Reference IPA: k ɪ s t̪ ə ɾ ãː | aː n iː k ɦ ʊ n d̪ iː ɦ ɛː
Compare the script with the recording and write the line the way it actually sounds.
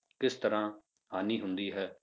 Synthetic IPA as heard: k ɪ s t̪ ə ɾ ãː | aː n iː ɦ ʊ n d̪ iː ɦ ɛː